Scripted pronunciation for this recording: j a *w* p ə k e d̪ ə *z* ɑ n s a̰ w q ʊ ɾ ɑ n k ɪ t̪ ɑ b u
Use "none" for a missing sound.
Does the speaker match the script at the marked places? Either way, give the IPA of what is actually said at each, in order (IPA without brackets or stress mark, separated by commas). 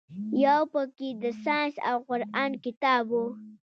w, s